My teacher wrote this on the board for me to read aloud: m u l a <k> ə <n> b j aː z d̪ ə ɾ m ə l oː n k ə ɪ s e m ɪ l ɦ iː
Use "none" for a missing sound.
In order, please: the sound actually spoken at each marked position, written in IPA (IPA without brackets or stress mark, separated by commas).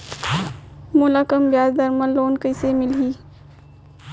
k, m